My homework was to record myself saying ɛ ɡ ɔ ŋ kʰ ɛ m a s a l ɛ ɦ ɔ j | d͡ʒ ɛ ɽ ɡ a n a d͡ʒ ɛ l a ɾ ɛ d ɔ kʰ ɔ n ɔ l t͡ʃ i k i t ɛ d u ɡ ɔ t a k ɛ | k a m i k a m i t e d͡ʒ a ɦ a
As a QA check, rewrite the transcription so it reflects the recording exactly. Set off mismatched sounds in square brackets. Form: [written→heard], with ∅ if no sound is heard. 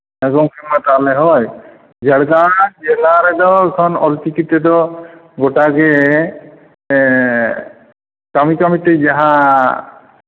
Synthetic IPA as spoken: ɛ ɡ ɔ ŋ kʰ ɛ m a [s→t] a l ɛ ɦ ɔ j | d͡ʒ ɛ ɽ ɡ a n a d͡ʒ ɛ l a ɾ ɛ d ɔ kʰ ɔ n ɔ l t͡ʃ i k i t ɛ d [u→ɔ] ɡ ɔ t a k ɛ | k a m i k a m i t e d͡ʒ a ɦ a